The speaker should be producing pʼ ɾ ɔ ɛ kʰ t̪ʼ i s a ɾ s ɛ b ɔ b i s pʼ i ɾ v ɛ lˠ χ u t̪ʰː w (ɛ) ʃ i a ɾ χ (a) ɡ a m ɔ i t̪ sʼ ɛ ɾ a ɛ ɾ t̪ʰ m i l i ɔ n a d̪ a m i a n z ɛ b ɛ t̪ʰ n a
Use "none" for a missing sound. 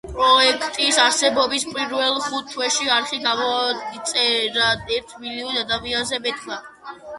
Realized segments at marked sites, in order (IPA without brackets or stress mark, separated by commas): ɛ, i